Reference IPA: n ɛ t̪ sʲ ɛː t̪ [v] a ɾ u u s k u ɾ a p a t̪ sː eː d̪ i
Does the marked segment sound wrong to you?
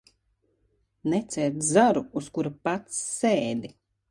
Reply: yes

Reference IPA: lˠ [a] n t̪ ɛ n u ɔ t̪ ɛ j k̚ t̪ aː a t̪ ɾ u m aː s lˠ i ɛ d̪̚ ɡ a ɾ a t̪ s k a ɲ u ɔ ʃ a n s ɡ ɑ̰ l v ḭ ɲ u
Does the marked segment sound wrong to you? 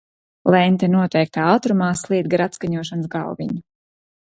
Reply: yes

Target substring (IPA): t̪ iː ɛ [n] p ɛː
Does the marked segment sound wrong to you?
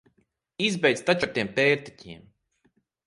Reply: yes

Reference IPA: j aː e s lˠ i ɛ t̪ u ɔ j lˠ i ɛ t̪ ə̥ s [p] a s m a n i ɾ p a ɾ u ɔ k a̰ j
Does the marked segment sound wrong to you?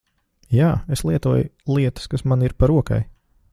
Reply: yes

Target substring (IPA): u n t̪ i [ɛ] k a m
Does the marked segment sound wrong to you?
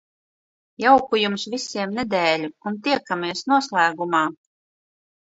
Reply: no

